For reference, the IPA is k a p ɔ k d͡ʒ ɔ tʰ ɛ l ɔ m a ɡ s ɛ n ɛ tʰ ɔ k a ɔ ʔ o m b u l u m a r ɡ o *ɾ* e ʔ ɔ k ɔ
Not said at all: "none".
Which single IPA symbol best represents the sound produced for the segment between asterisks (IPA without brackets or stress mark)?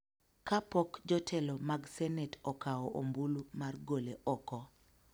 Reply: l